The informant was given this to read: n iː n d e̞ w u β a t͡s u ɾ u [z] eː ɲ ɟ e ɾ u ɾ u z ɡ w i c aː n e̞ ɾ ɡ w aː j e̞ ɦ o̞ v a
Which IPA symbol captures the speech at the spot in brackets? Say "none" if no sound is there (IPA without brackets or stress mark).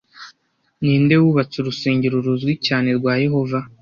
s